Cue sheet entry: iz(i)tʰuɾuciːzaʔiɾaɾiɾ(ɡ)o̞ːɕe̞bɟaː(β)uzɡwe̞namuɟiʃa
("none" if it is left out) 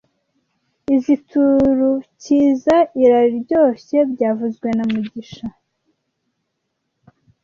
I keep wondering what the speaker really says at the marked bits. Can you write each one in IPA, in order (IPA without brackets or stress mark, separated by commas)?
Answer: i, ɟ, v